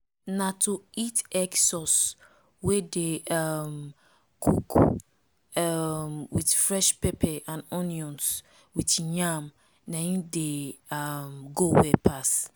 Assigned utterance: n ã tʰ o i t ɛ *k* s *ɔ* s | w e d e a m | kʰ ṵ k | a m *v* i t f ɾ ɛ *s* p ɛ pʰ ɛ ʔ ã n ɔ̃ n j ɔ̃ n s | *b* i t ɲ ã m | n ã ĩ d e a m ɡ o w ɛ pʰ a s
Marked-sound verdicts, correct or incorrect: correct, correct, incorrect, incorrect, incorrect

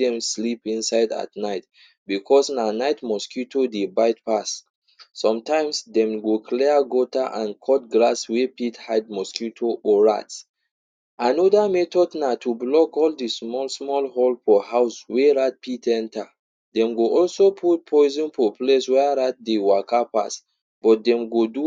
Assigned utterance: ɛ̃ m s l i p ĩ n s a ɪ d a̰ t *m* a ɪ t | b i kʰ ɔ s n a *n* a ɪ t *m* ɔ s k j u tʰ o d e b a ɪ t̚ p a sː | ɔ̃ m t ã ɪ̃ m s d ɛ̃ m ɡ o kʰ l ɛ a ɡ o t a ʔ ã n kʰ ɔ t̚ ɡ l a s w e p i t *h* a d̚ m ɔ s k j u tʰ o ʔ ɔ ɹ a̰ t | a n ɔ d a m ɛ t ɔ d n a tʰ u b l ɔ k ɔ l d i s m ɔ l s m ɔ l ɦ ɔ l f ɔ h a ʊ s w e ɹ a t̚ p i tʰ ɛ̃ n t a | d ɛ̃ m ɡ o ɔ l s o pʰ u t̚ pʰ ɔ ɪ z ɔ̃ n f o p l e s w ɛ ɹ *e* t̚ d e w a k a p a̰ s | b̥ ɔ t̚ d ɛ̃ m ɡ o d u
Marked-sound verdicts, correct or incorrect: incorrect, correct, correct, correct, incorrect

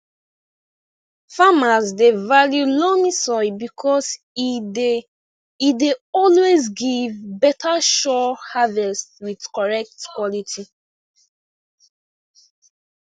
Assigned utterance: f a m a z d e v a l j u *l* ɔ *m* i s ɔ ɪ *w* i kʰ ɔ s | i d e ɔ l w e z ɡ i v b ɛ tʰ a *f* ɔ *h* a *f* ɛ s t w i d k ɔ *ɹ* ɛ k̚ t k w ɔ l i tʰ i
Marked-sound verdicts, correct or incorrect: correct, correct, incorrect, incorrect, correct, incorrect, correct

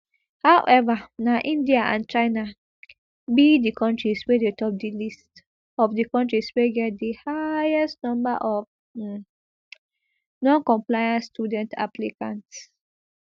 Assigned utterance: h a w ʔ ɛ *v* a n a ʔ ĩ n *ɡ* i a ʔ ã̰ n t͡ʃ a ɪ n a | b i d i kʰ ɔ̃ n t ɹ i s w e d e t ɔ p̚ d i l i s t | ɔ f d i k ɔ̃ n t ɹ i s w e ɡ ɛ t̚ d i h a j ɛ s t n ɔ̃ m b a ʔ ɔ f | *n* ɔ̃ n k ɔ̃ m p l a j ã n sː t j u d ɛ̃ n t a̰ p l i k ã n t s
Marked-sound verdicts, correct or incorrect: correct, incorrect, correct

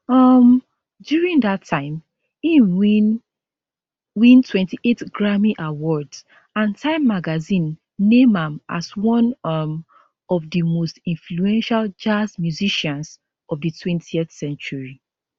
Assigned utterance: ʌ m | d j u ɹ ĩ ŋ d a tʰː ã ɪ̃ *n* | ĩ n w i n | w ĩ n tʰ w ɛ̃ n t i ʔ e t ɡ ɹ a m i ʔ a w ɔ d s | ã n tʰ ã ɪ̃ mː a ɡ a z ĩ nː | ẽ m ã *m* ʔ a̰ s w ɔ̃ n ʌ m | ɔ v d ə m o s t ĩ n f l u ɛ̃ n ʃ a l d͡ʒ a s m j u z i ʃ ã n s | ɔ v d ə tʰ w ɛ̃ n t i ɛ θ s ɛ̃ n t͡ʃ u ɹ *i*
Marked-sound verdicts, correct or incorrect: incorrect, correct, correct

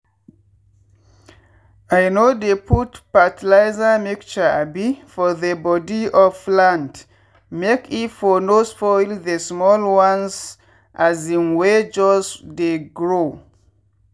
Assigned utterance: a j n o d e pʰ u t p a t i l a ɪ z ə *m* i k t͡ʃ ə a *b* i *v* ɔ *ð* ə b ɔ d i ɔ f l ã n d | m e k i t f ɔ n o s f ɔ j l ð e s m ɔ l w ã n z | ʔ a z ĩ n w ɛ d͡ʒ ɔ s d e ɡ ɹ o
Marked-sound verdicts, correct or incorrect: correct, correct, incorrect, correct

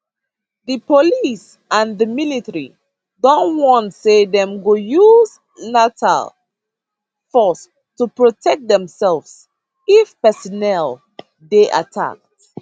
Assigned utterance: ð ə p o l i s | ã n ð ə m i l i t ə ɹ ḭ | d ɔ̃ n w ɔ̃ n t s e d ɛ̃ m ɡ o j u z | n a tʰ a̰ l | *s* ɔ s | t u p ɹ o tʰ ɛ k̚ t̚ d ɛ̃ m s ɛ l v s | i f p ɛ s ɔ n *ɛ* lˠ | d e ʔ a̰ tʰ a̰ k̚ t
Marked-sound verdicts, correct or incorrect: incorrect, correct

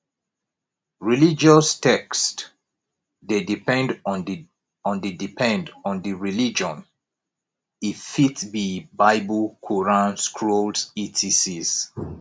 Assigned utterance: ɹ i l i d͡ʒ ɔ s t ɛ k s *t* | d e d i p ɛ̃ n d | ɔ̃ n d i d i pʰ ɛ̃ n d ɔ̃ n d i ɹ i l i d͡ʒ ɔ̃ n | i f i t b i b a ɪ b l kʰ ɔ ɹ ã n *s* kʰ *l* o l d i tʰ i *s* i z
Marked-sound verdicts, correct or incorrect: correct, correct, incorrect, correct

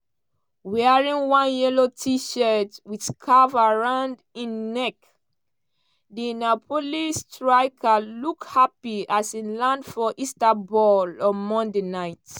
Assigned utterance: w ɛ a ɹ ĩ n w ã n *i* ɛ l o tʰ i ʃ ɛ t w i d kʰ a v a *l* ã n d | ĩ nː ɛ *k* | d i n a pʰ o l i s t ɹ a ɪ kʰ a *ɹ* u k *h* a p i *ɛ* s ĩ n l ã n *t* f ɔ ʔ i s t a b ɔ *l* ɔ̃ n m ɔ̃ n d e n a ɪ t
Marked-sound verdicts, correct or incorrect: incorrect, incorrect, correct, incorrect, correct, incorrect, incorrect, correct

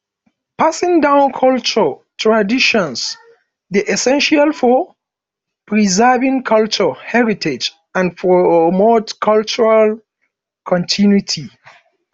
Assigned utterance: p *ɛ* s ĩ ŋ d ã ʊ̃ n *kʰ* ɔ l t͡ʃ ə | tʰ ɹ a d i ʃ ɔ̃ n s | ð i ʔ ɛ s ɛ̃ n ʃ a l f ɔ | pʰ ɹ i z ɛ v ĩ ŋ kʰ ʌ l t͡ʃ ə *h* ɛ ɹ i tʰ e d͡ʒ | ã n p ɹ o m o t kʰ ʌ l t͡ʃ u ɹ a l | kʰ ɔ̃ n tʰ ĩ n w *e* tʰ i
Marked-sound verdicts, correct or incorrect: incorrect, correct, correct, incorrect

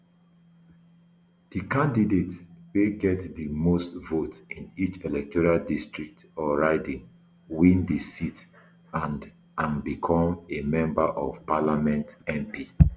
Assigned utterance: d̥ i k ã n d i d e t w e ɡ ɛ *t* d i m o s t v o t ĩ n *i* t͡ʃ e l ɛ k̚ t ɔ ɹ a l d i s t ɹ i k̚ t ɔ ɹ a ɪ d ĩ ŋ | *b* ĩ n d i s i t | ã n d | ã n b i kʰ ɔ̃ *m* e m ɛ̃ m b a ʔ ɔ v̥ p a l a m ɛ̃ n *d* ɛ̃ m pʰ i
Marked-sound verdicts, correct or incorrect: correct, correct, incorrect, correct, incorrect

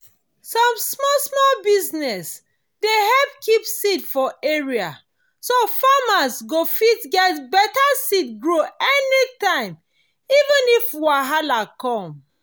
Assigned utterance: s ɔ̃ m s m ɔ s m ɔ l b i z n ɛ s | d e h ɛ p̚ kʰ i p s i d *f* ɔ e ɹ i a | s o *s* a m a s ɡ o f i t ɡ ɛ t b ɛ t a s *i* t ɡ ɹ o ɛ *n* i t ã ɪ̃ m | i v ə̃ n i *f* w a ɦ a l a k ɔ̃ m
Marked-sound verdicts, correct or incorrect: correct, incorrect, correct, correct, correct

